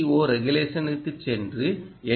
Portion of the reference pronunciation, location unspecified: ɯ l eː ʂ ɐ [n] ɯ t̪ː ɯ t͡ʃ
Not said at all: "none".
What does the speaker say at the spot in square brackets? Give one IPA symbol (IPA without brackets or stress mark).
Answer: n